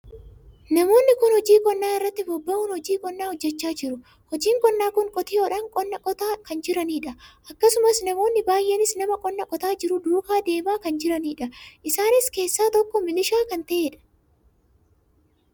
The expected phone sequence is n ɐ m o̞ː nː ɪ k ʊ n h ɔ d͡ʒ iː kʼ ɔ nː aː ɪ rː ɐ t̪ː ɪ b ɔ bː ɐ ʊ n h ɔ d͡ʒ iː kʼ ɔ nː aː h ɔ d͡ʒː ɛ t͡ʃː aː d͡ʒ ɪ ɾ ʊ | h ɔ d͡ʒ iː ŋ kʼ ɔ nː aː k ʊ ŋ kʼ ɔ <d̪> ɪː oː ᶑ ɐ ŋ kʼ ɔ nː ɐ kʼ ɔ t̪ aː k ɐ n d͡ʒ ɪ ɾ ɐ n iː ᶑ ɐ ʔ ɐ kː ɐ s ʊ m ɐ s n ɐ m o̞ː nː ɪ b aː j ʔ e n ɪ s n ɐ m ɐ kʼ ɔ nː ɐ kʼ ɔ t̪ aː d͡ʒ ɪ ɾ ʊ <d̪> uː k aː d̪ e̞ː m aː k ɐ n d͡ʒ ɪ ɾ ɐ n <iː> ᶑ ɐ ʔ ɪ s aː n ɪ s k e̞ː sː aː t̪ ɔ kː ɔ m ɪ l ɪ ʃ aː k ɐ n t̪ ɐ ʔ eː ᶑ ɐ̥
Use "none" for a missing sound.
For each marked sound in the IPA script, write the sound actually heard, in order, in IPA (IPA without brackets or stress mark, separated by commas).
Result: t̪, d̪, iː